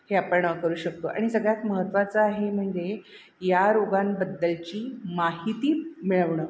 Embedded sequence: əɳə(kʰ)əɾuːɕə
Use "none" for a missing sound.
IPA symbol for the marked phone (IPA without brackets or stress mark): k